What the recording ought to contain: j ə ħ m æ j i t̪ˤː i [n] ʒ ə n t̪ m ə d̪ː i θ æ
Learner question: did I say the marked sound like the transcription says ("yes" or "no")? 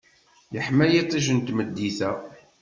no